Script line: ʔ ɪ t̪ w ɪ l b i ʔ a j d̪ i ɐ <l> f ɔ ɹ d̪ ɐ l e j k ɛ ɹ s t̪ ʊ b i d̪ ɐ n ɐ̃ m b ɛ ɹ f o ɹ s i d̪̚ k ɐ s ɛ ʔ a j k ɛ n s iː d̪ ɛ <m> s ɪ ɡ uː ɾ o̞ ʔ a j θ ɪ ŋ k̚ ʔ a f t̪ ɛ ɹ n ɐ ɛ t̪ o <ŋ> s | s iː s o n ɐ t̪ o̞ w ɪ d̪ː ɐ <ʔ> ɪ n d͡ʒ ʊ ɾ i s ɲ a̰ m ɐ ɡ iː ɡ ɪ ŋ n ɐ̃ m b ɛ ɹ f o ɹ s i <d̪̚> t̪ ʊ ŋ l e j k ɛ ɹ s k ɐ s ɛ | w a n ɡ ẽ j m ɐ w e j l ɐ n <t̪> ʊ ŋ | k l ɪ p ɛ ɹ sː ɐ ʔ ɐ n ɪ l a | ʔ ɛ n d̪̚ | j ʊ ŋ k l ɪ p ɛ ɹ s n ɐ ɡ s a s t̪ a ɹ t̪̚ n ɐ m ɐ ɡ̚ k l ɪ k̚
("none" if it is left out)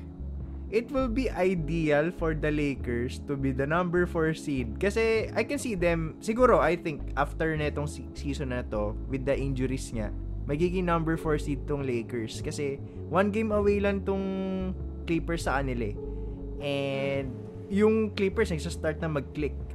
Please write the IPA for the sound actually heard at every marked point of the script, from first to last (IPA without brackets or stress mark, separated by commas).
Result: l, m, ŋ, ʔ, d̪̚, t̪